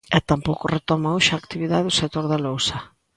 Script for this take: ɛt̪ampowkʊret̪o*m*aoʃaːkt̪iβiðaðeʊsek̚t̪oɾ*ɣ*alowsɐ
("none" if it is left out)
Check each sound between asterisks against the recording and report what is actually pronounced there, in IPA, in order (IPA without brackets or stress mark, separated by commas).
m, ð